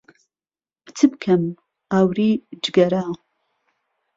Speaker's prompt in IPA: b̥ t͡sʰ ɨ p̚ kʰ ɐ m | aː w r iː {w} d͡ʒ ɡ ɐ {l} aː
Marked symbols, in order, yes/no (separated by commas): no, no